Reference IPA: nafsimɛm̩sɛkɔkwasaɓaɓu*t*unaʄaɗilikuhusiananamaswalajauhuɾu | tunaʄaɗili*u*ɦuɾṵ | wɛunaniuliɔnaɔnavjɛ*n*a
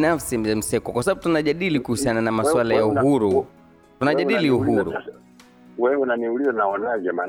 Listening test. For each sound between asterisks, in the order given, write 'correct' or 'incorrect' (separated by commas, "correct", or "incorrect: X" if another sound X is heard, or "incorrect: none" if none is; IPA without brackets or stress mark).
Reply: correct, correct, incorrect: m